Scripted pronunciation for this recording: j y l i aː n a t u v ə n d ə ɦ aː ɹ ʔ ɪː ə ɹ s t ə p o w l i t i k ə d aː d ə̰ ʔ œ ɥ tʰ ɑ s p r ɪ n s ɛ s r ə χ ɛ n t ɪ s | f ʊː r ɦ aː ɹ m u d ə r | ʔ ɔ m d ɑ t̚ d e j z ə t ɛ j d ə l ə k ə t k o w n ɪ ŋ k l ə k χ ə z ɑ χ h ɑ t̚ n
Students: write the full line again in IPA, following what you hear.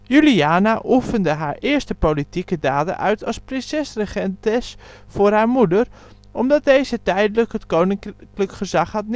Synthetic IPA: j y l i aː n a ʔ u f ə n d ə ɦ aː ɹ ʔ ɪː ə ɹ s t ə p o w l i t i k ə d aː d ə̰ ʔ œ ɥ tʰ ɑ s p r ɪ n s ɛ s r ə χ ɛ n t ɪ s | f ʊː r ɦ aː ɹ m u d ə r | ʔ ɔ m d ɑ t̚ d e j z ə t ɛ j d ə l ə k ə t k o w n ɪ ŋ k l ə k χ ə z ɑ χ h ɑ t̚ n